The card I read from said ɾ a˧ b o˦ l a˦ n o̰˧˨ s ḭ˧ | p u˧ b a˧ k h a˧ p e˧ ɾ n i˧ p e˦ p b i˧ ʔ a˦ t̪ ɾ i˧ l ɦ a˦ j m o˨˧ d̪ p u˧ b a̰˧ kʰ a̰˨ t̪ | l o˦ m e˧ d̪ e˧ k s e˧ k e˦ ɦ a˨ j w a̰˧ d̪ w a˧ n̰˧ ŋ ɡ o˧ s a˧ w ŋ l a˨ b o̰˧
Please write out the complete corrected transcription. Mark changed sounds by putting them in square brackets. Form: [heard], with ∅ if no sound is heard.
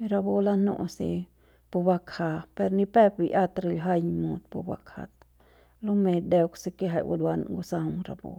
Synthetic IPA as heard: ɾ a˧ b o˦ l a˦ n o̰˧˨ s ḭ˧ | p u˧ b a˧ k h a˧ p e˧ ɾ n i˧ p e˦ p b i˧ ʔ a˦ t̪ ɾ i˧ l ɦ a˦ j m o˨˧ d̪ p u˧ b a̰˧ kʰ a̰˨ t̪ | l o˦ m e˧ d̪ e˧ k s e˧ k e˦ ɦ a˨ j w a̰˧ d̪ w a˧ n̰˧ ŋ ɡ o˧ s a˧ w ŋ [ɾ] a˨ b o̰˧